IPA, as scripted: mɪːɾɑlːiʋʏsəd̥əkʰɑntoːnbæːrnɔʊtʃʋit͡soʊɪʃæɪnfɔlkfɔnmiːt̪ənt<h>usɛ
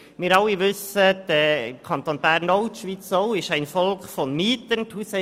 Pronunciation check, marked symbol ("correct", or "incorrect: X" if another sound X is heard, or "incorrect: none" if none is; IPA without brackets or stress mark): correct